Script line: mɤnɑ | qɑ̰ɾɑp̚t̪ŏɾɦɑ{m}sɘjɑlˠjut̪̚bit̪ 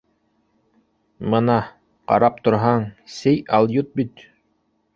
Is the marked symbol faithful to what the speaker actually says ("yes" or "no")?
no